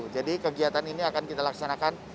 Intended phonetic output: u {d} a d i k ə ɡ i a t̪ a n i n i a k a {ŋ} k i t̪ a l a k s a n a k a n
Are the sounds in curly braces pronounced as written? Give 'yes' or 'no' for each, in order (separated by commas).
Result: no, no